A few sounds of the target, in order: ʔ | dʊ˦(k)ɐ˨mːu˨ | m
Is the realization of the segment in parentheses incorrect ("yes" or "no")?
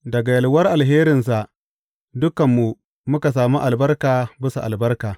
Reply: no